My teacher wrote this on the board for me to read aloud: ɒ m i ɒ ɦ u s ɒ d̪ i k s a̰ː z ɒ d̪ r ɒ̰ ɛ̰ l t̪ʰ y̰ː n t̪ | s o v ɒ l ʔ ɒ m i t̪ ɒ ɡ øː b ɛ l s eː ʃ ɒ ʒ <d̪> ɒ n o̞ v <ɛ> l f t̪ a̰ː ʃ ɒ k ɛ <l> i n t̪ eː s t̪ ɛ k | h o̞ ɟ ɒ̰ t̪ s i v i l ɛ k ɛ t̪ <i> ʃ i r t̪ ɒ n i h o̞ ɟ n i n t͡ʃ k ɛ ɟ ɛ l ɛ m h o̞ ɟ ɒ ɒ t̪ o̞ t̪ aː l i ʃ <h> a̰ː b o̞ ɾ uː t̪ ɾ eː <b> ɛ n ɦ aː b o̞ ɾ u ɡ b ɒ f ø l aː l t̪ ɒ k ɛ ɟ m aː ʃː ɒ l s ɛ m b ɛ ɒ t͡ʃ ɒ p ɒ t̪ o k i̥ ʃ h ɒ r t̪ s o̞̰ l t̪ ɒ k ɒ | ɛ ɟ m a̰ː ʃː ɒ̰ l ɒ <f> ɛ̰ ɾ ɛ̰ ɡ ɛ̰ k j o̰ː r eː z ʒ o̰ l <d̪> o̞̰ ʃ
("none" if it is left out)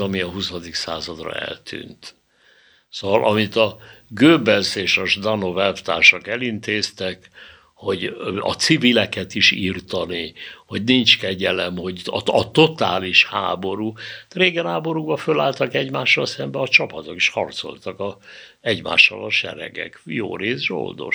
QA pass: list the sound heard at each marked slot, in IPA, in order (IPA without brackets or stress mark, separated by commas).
d̪, ɛ, l, i, h, ɡ, ʃ, d̪